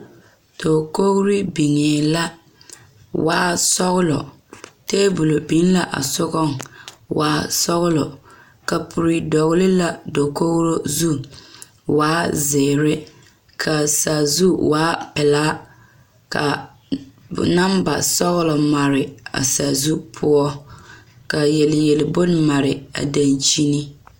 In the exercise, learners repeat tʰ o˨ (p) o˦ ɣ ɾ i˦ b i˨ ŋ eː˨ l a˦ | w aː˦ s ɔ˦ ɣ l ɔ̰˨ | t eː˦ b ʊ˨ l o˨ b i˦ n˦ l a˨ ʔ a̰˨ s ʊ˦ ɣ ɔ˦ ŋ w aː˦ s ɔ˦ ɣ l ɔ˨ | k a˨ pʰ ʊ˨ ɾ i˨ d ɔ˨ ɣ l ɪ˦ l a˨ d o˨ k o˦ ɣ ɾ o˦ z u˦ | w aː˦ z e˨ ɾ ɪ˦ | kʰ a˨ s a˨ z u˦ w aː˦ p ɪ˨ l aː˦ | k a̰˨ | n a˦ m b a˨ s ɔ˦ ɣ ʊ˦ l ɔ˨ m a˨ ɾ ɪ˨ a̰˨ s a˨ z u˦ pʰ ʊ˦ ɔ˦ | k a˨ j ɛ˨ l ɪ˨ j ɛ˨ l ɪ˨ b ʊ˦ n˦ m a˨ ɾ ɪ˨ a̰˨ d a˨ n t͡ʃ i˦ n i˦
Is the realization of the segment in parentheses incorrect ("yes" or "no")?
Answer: yes